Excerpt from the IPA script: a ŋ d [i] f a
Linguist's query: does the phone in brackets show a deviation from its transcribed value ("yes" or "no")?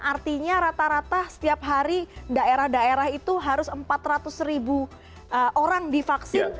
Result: no